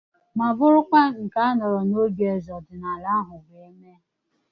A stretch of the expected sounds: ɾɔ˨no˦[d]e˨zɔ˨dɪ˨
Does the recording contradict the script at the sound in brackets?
yes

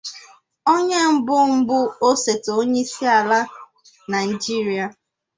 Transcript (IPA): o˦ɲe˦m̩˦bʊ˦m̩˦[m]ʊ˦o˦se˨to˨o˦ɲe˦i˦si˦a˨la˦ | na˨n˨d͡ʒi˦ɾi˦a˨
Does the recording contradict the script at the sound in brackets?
yes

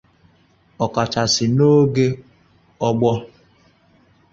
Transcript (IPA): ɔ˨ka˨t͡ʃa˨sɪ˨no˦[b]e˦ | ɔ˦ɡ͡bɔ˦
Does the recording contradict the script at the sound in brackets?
yes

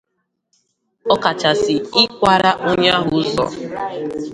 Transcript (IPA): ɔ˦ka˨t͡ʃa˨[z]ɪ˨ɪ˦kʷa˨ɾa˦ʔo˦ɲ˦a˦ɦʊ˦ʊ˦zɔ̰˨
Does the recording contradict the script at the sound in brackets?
yes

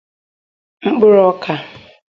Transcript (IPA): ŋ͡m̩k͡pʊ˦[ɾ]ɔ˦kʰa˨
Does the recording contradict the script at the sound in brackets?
no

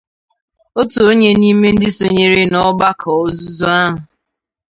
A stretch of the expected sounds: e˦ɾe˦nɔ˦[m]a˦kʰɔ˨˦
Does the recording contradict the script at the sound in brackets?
yes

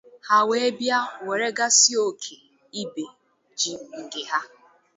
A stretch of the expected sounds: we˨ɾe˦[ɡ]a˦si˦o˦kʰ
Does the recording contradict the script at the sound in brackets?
no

